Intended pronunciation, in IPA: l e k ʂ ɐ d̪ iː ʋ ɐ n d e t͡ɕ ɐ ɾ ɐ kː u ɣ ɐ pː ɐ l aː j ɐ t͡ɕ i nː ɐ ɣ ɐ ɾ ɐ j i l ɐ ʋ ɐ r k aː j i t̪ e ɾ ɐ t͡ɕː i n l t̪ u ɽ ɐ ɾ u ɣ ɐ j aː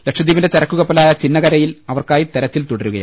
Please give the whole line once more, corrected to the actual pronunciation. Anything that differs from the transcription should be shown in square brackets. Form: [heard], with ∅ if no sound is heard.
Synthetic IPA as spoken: l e k ʂ ɐ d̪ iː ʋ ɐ n d e t͡ɕ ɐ ɾ ɐ kː u ɣ ɐ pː ɐ l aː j ɐ t͡ɕ i nː ɐ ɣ ɐ ɾ ɐ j i l ɐ ʋ ɐ r k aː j i t̪ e ɾ ɐ t͡ɕː i [∅] l t̪ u ɽ ɐ ɾ u ɣ ɐ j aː